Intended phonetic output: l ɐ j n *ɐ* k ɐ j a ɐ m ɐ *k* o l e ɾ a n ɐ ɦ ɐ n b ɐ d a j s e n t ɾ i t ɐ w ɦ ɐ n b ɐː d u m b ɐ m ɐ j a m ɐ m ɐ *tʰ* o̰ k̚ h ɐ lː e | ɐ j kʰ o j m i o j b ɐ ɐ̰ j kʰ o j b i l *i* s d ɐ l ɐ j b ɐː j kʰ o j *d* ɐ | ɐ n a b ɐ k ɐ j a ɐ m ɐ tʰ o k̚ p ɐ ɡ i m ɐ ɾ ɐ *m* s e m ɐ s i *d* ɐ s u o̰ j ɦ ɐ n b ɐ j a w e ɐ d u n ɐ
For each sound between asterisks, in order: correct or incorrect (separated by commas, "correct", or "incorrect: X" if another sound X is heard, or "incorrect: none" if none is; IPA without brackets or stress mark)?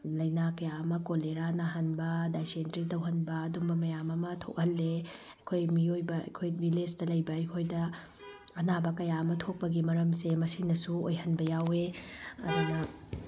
incorrect: a, correct, correct, incorrect: e, correct, correct, incorrect: n